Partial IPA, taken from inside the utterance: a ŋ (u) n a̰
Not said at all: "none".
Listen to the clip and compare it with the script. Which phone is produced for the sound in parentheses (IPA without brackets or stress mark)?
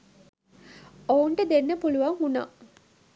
u